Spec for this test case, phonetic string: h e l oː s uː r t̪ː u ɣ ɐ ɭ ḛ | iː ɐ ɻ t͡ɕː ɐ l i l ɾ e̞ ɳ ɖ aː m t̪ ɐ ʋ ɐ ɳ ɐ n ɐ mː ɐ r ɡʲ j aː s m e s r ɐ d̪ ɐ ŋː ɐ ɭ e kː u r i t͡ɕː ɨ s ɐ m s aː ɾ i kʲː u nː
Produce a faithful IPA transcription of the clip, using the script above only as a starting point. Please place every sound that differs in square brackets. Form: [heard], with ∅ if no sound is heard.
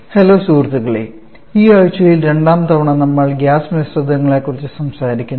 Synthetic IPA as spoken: h e l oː s uː r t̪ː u ɣ ɐ ɭ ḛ | iː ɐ ɻ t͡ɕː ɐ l i l ɾ e̞ ɳ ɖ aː m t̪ ɐ ʋ ɐ ɳ ɐ n ɐ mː ɐ [ɭ] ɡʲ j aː s m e s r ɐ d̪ ɐ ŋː ɐ ɭ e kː u r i t͡ɕː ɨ s ɐ m s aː ɾ i kʲː u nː